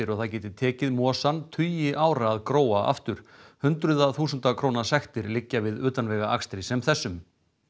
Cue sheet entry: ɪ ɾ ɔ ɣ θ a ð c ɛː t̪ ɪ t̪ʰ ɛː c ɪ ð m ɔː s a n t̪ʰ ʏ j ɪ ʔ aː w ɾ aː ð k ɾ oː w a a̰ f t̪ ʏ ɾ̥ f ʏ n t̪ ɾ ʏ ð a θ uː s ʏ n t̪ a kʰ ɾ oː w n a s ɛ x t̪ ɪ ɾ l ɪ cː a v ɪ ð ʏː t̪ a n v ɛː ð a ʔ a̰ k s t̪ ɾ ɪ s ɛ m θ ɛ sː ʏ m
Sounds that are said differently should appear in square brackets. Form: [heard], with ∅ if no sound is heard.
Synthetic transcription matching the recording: ɪ ɾ ɔ ɣ θ a ð c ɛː t̪ ɪ t̪ʰ ɛː c ɪ ð m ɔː s a n t̪ʰ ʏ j ɪ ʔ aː w ɾ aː ð k ɾ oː w a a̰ f t̪ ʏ ɾ̥ [h] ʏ n t̪ ɾ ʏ ð a θ uː s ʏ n t̪ a kʰ ɾ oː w n a s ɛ x t̪ ɪ ɾ l ɪ cː a v ɪ ð ʏː t̪ a n v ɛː [ɣ] a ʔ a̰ k s t̪ ɾ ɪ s ɛ m θ ɛ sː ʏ m